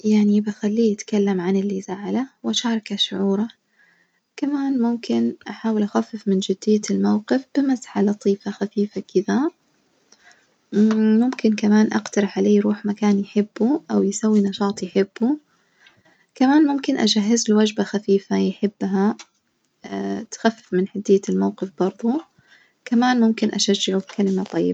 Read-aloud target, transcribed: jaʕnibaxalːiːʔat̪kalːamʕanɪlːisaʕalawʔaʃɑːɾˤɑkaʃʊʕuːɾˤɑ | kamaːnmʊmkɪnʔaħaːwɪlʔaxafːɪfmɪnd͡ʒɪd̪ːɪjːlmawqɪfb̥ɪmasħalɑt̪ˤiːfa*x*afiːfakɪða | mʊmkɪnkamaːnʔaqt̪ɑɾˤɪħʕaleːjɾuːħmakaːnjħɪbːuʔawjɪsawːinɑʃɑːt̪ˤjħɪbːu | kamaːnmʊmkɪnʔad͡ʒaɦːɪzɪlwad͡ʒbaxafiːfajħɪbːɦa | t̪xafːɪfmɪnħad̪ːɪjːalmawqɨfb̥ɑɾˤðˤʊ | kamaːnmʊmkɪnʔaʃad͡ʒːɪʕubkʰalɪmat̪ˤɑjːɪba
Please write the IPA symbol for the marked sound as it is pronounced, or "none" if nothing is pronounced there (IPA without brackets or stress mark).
x